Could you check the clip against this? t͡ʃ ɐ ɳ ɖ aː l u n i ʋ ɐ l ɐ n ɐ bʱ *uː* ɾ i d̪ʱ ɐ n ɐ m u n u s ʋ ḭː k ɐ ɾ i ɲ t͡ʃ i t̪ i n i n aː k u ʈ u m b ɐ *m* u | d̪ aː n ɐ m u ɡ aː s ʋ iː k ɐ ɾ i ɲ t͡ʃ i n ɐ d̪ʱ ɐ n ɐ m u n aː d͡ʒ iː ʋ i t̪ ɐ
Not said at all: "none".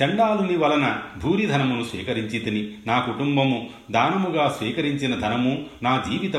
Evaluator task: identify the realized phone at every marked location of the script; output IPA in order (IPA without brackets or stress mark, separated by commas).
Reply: uː, m